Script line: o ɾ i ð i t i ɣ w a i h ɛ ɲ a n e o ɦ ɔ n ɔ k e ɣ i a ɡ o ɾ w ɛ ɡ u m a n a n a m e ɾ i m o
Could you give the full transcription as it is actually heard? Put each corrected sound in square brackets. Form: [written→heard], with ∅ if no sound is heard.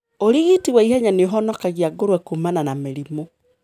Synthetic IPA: o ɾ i [ð→ɣ] i t i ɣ w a i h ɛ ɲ a n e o ɦ ɔ n ɔ k [e→a] ɣ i a ɡ o ɾ w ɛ [ɡ→k] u m a n a n a m e ɾ i m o